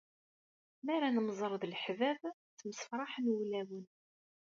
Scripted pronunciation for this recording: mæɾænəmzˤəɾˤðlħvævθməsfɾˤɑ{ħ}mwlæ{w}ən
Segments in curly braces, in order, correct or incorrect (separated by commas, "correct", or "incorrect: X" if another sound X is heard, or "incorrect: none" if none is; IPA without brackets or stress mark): correct, correct